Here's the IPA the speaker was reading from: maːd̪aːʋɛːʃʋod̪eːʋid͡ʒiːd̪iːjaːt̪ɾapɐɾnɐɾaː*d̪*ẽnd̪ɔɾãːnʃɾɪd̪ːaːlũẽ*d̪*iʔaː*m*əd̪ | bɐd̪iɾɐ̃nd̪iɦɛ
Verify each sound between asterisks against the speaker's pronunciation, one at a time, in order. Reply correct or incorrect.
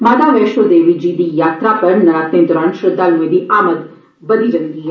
incorrect, correct, correct

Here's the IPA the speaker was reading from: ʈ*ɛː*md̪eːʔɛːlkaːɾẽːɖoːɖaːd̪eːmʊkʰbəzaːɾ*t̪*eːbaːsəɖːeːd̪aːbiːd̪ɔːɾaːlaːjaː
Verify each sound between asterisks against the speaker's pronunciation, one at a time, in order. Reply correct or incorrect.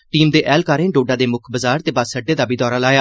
incorrect, correct

